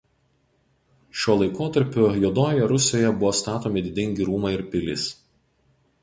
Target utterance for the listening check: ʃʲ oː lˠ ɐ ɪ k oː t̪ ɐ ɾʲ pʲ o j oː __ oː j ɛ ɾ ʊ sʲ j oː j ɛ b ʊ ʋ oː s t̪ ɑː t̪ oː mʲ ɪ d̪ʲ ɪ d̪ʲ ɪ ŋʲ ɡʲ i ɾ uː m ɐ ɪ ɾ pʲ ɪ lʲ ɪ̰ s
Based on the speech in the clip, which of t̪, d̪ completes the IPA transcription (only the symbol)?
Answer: d̪